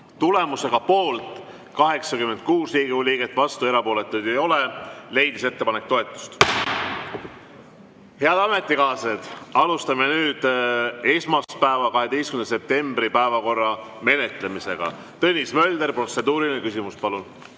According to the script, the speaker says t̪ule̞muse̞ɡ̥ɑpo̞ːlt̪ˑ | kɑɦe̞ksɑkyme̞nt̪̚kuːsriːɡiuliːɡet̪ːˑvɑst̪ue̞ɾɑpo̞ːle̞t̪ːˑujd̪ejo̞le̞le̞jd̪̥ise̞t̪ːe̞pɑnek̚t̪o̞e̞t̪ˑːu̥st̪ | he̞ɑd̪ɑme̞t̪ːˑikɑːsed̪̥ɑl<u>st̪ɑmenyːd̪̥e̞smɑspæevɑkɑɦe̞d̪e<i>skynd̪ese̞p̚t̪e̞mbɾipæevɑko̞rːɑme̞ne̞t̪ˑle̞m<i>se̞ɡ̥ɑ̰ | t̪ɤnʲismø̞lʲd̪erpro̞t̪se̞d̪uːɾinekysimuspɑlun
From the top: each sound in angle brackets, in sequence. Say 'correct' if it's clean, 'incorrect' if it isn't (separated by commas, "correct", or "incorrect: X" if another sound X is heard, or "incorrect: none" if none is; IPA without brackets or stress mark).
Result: correct, incorrect: j, correct